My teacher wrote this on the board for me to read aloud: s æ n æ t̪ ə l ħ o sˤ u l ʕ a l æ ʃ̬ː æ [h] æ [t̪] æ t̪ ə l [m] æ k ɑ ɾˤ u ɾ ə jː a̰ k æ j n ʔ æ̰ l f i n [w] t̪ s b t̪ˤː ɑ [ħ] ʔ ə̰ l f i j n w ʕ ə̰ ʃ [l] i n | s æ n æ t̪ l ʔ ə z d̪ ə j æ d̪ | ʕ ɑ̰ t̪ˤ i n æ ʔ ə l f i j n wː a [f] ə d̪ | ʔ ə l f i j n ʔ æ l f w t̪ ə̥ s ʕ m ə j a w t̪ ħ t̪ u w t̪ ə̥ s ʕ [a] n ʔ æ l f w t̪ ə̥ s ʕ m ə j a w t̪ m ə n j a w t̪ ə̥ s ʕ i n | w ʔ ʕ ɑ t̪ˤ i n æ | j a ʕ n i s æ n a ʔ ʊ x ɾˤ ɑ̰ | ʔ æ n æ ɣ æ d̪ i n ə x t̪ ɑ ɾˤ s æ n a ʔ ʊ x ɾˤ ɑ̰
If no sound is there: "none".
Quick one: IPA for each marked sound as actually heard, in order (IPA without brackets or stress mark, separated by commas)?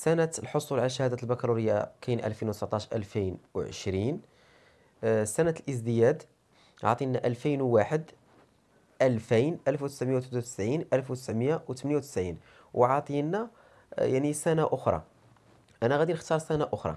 h, d̪, b, w, ʃ, ɾ, ħ, i